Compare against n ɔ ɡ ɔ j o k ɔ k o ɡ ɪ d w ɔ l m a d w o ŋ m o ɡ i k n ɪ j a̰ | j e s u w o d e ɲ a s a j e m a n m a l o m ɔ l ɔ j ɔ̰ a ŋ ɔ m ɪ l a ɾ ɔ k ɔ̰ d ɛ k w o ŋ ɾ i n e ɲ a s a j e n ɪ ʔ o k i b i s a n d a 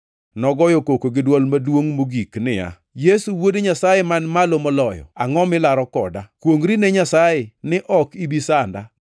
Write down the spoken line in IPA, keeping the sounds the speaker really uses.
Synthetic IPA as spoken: n ɔ ɡ ɔ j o k o k o ɡ ɪ d w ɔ l m a d w o ŋ m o ɡ i k n ɪ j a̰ | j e s u w o d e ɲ a s a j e m a n m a l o m ɔ l ɔ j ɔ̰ a ŋ ɔ m ɪ l a ɾ ɔ k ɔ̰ d a k w o ŋ ɾ i n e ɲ a s a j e n ɪ ʔ ɔ k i b i s a n d a